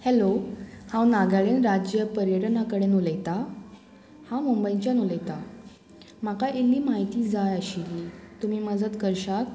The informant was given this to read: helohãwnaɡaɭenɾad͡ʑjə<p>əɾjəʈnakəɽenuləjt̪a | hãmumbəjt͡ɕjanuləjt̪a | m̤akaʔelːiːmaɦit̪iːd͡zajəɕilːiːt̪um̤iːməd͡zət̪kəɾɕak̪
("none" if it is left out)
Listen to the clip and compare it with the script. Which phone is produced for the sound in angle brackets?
p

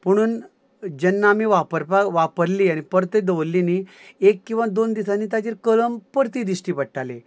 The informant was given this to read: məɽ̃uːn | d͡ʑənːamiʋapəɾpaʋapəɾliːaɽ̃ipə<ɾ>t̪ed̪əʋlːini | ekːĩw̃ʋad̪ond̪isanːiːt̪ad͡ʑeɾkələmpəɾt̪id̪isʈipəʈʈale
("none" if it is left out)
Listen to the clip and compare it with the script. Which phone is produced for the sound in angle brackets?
ɾ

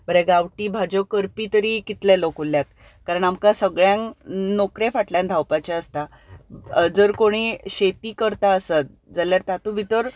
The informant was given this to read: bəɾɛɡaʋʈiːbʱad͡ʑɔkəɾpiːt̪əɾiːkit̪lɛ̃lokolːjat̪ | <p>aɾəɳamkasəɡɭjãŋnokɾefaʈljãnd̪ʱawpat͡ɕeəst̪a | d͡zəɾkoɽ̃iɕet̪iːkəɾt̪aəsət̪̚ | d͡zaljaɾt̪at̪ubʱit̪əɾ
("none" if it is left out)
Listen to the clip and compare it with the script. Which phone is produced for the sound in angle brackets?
k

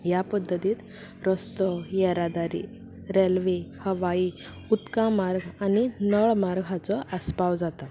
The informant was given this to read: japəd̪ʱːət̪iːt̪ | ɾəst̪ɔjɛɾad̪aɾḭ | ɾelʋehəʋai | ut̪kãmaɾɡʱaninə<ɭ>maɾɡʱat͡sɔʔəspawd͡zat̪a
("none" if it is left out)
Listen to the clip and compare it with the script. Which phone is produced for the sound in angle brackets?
ɭ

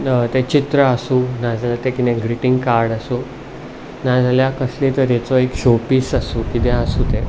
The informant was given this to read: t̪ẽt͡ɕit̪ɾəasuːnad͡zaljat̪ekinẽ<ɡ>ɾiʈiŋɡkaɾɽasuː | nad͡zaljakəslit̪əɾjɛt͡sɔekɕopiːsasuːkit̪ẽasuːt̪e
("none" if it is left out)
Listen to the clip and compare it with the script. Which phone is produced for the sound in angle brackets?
ɡ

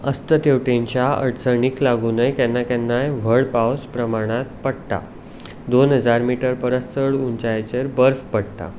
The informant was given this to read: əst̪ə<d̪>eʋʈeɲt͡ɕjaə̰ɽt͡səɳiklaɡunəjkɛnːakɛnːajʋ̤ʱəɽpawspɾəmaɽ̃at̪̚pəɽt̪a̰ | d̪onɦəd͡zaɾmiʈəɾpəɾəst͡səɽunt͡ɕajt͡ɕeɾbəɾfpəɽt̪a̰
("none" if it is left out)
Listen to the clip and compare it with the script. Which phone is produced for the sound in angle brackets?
t̪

